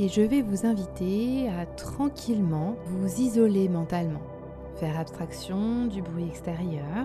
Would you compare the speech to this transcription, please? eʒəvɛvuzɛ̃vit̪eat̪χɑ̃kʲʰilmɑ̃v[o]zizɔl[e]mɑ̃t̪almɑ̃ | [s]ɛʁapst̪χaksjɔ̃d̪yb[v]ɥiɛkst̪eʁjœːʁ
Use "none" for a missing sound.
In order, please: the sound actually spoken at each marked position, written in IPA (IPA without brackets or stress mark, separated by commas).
u, e, f, ʁ